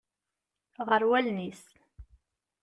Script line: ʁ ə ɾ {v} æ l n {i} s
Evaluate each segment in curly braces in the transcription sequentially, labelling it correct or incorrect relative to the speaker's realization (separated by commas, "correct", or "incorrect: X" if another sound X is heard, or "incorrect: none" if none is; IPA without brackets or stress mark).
incorrect: w, correct